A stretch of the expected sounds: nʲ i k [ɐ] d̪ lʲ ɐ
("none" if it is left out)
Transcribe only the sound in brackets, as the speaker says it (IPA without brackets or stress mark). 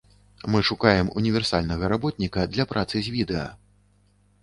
ɐ